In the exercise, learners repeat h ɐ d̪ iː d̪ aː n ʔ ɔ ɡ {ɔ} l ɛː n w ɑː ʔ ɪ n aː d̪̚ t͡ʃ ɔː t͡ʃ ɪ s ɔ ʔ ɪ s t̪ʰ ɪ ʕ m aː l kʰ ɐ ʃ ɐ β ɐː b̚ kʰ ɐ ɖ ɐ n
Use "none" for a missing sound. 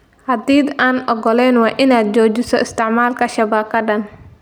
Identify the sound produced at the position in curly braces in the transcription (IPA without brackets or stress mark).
ɔ